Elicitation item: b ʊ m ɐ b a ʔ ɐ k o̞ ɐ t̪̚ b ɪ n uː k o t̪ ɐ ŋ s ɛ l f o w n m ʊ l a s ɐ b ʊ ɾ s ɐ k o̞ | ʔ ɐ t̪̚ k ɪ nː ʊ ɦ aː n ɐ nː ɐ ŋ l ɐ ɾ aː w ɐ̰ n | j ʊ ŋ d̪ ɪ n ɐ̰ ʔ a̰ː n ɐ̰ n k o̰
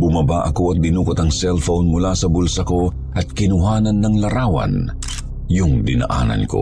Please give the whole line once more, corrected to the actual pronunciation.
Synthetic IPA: b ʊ m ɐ b a ʔ ɐ k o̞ ɐ t̪̚ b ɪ n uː k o t̪ ɐ ŋ s ɛ l f o w n m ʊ l a s ɐ b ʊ l s ɐ k o̞ | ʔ ɐ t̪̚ k ɪ n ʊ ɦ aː n ɐ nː ɐ ŋ l ɐ ɾ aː w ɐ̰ n | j ʊ ŋ d̪ ɪ n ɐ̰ ʔ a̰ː n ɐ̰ n k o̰